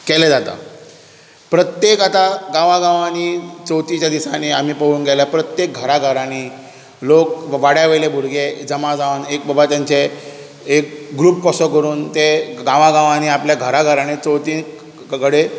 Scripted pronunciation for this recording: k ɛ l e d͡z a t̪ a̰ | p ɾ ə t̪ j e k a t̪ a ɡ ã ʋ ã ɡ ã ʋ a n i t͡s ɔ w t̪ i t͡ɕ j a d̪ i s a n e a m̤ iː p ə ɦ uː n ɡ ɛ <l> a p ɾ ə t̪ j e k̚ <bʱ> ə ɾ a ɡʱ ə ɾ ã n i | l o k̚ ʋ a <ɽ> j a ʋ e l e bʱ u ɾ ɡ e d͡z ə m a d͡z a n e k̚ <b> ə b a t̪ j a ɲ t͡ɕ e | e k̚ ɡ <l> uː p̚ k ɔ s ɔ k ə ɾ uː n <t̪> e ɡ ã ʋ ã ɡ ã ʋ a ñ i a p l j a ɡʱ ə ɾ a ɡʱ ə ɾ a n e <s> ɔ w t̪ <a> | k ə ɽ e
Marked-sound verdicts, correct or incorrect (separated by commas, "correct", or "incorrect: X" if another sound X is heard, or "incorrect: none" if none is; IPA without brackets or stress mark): correct, incorrect: ɡʱ, correct, correct, incorrect: ɾ, correct, incorrect: t͡s, incorrect: i